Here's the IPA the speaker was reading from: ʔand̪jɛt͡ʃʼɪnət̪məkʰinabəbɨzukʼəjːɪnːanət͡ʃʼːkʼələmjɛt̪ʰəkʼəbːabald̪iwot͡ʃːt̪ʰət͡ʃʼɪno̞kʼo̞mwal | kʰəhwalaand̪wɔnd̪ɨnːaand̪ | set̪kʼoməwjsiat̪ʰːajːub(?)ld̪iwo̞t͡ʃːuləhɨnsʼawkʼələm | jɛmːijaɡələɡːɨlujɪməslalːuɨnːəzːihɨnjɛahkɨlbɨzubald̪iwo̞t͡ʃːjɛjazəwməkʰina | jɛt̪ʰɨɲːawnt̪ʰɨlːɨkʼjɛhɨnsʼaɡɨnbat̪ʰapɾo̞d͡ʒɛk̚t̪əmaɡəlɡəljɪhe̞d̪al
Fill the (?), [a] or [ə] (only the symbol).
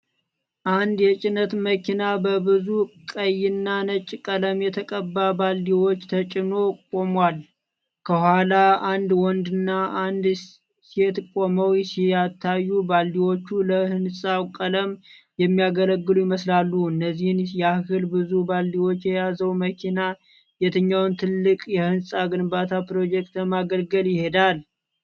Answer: a